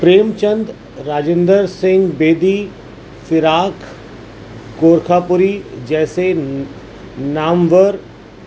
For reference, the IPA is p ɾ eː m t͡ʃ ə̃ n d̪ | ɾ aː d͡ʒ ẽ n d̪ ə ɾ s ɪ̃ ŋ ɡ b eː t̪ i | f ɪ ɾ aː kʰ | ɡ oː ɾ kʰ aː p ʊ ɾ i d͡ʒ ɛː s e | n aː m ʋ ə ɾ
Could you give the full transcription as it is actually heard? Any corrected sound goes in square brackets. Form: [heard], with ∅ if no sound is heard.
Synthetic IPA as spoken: p ɾ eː m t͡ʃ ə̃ n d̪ | ɾ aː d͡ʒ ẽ n d̪ ə ɾ s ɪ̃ ŋ ɡ b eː [d̪] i | f ɪ ɾ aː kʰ | ɡ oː ɾ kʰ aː p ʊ ɾ i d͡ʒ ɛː s e | n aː m ʋ ə ɾ